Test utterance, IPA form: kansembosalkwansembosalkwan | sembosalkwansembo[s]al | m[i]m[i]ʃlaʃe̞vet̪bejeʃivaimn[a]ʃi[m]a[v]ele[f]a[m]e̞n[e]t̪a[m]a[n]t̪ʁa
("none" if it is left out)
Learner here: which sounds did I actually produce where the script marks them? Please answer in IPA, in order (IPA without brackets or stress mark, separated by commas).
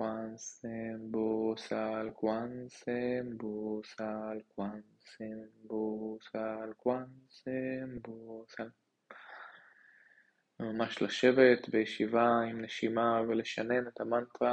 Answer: s, a, a, e, m, v, ʃ, n, e, m, n